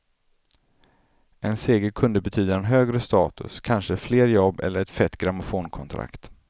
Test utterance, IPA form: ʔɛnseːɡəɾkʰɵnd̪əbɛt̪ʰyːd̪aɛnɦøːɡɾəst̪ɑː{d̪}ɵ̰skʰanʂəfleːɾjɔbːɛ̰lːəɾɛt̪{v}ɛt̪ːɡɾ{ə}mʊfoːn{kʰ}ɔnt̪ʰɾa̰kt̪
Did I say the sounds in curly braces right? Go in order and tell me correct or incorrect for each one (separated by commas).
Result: incorrect, incorrect, incorrect, correct